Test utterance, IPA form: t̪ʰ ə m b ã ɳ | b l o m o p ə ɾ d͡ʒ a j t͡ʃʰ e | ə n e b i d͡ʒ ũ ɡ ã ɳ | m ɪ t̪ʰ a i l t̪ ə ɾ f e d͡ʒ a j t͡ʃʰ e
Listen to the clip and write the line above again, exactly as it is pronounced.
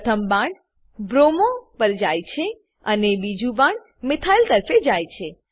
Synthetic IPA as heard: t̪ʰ ə m b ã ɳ | b ɾ o m o p ə ɾ d͡ʒ a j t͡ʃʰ e | ə n e b i d͡ʒ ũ b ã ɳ | m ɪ t̪ʰ a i l t̪ ə ɾ f e d͡ʒ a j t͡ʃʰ e